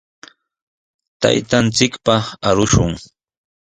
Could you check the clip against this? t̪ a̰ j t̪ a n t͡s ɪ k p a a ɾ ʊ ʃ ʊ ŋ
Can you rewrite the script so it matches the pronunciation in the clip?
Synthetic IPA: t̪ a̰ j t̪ a n t͡s ɪ k p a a ɾ ʊ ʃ ʊ ŋ